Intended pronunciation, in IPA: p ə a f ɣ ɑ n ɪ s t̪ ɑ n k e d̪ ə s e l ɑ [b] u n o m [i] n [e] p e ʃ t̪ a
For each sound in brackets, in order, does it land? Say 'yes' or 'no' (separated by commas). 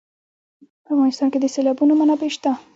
yes, no, no